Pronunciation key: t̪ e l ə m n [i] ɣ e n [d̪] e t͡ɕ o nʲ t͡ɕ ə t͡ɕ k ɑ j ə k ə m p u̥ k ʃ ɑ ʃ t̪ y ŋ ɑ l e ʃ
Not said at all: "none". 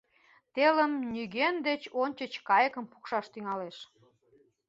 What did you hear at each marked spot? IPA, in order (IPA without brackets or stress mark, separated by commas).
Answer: y, d̪